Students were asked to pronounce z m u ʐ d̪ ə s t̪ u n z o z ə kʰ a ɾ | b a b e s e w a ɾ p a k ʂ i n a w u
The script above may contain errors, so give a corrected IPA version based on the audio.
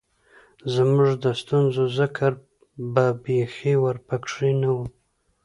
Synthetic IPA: z m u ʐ d̪ ə s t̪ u n z o z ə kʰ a ɾ | b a b e x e w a ɾ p a k ʂ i n a w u